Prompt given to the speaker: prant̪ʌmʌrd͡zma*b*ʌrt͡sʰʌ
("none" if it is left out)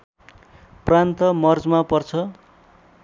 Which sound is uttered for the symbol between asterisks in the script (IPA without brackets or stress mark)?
p